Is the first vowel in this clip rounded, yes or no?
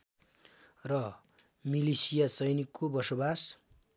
no